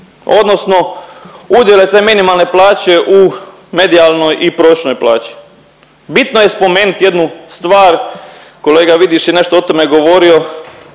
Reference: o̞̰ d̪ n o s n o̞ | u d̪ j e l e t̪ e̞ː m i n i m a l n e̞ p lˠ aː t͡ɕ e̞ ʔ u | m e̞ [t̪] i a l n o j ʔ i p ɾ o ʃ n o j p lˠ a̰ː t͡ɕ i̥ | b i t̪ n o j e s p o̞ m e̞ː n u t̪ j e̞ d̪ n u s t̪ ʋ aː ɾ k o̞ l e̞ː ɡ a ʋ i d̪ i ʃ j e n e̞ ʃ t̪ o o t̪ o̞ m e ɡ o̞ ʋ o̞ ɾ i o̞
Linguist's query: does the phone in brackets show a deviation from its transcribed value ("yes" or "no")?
yes